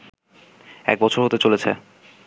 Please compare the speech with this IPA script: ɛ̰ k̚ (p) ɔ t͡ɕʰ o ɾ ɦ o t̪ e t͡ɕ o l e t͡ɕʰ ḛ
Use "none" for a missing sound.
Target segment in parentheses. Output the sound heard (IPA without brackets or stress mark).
b